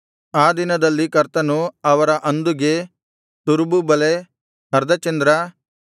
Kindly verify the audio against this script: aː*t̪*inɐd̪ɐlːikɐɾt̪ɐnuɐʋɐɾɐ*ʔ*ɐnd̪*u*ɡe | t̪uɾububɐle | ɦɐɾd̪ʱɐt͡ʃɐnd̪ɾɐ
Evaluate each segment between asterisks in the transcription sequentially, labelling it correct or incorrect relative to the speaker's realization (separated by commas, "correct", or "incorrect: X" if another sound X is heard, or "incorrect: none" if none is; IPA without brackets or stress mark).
incorrect: d̪, correct, correct